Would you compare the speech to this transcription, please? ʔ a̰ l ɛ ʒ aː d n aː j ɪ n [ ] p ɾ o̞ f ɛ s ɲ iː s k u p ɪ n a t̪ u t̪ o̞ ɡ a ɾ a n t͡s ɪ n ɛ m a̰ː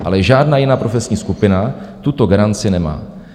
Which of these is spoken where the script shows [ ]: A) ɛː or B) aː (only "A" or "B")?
B